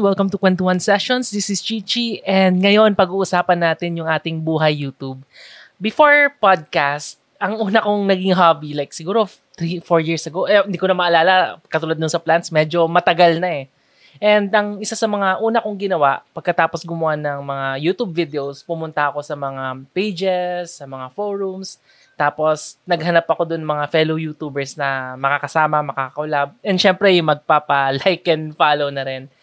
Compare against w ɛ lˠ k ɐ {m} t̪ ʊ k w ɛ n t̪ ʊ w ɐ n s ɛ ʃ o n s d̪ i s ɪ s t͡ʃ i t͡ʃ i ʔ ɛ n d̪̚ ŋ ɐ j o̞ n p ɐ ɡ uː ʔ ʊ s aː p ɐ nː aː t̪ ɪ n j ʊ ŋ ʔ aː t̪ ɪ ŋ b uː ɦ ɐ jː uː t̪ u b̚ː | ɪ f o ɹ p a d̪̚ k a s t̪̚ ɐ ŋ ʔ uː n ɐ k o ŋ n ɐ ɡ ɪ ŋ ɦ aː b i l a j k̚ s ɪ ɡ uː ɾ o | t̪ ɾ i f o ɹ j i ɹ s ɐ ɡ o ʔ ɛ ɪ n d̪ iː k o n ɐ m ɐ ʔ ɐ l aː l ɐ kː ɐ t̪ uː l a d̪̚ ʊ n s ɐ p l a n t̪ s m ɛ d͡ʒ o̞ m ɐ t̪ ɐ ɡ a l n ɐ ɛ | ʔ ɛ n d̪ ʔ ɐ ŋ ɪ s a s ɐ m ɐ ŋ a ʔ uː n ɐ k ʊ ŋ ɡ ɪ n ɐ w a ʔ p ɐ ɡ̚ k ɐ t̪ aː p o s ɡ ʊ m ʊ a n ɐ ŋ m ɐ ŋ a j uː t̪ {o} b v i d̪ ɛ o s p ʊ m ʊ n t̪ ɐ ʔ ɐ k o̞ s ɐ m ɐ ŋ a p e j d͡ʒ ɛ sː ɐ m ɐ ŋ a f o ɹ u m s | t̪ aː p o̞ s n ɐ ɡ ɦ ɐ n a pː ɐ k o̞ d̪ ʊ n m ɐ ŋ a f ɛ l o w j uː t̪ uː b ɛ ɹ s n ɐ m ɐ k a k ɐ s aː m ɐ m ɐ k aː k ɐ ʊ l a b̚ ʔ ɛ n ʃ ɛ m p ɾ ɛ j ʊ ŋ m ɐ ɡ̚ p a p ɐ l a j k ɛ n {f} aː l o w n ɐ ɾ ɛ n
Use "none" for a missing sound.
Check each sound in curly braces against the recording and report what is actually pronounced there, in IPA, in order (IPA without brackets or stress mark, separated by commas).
m, u, f